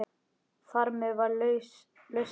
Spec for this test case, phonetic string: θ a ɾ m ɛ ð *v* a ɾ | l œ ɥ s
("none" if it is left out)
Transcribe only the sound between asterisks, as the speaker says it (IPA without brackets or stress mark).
v